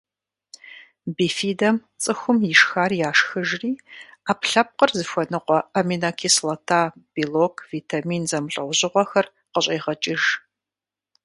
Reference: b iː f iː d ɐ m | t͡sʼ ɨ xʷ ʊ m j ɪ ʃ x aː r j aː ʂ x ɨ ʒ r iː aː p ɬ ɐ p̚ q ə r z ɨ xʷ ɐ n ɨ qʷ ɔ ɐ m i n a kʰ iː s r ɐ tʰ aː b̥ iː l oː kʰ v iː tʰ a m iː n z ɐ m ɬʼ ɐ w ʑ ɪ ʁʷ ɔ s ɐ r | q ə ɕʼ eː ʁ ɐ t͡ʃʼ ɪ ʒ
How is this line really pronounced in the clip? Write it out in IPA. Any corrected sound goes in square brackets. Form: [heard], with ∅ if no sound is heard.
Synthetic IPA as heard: b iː f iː d ɐ m | t͡sʼ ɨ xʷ ʊ m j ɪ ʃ x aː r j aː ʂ x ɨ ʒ r iː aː p ɬ ɐ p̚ q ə r z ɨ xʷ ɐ n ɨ qʷ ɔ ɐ m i n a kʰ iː s [l] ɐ tʰ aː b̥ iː l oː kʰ v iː tʰ a m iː n z ɐ m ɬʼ ɐ w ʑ ɪ ʁʷ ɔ [x] ɐ r | q ə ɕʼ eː ʁ ɐ t͡ʃʼ ɪ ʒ